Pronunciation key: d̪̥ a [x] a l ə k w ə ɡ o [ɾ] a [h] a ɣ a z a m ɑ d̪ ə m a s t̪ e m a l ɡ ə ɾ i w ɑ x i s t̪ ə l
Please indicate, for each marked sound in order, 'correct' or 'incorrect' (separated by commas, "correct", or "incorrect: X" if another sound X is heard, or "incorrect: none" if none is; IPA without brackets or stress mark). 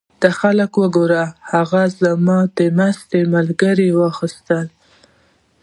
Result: correct, correct, correct